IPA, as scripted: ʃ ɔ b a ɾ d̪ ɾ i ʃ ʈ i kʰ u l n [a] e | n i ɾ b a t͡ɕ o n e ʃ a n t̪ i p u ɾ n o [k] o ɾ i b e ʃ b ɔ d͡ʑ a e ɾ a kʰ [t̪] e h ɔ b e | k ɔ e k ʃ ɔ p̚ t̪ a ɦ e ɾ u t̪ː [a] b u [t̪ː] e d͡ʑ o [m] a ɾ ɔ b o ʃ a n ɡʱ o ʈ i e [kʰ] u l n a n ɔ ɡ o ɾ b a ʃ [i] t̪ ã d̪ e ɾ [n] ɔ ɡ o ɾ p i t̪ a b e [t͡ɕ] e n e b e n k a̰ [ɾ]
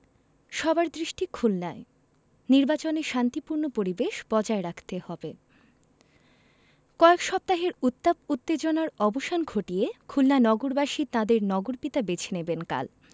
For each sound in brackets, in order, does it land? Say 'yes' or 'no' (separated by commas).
yes, no, yes, yes, yes, no, yes, yes, yes, no, no